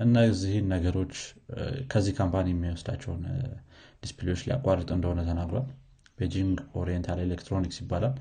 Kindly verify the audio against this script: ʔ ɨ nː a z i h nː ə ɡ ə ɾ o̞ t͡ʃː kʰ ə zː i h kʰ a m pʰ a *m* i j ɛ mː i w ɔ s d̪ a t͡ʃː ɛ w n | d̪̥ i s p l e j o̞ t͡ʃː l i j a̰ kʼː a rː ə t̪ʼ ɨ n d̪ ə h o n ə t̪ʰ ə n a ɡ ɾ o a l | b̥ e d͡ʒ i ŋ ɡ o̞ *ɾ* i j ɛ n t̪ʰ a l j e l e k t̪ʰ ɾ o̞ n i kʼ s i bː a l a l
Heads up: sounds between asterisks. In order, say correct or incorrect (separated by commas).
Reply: incorrect, correct